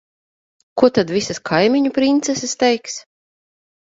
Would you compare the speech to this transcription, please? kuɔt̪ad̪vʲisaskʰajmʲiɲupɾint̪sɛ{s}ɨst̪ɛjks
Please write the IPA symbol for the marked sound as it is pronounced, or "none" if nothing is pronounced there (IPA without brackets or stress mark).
s